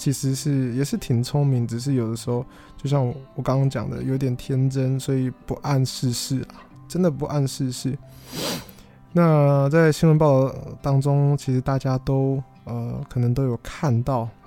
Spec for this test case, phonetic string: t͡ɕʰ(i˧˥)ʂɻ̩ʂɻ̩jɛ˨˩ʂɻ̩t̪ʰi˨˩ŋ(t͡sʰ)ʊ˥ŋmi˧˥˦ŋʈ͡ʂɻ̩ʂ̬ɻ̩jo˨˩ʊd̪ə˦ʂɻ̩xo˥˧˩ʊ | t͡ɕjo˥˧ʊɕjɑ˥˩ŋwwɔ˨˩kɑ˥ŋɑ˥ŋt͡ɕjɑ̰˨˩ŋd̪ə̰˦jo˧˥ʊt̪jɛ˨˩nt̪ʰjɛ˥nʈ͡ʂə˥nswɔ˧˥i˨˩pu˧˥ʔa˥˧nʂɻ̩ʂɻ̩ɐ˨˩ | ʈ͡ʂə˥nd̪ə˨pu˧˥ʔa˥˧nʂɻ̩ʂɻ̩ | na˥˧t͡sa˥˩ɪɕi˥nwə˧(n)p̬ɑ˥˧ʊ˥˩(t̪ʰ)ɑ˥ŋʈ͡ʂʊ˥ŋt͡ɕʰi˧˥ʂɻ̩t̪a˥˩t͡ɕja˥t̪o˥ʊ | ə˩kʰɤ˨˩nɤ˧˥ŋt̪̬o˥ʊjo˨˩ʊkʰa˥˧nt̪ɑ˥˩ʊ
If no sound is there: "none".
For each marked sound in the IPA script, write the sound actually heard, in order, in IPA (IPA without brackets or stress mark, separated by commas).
i˧˥, t͡sʰ, n, t̪